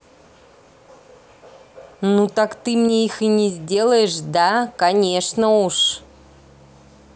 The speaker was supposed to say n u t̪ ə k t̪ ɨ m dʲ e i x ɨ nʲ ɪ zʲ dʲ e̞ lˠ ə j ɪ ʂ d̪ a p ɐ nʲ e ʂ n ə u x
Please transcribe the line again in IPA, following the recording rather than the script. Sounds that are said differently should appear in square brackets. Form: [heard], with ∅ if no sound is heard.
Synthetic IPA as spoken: n u t̪ [a] k t̪ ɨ m [nʲ] e i x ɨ nʲ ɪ zʲ dʲ e̞ lˠ ə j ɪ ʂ d̪ a [k] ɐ nʲ e ʂ n ə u [ʂ]